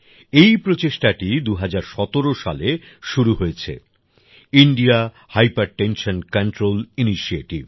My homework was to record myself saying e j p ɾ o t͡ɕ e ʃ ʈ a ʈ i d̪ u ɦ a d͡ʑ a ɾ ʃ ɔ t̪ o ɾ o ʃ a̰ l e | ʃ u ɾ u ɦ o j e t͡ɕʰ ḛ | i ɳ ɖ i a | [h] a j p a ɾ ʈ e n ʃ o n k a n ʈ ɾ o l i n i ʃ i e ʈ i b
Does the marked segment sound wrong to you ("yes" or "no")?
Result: no